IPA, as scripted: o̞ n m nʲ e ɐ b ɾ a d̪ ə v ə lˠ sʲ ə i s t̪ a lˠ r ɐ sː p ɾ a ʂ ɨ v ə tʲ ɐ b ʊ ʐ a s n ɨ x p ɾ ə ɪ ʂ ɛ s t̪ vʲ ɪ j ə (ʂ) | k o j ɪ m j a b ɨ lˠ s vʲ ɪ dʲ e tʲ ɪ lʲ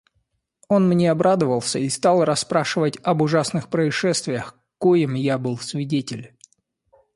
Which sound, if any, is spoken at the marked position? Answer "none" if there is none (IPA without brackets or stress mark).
x